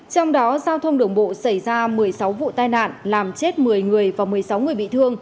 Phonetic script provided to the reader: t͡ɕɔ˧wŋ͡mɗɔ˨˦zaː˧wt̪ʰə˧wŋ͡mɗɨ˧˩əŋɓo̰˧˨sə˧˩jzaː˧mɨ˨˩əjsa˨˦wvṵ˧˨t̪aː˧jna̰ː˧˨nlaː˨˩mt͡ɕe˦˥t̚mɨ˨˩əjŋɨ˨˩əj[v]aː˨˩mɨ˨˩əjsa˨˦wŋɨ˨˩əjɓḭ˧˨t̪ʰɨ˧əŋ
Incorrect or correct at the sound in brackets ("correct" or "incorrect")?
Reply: correct